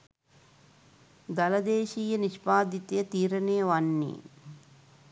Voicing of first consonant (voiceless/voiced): voiced